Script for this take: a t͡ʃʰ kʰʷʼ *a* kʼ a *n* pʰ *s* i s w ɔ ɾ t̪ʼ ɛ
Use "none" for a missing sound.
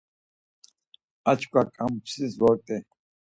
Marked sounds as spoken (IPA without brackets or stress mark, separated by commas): a, m, s